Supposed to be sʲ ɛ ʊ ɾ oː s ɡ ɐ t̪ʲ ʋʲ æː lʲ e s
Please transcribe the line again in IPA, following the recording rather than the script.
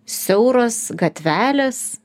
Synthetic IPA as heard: sʲ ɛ ʊ ɾ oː s ɡ ɐ t̪ʲ ʋʲ æː lʲ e s